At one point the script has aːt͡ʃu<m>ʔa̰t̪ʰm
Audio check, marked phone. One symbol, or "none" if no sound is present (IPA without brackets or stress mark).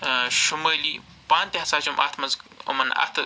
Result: m